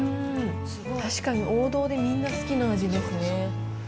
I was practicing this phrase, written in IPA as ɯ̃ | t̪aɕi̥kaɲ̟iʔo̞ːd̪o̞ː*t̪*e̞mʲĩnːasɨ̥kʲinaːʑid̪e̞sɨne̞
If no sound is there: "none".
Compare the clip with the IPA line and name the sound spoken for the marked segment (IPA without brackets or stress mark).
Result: d̪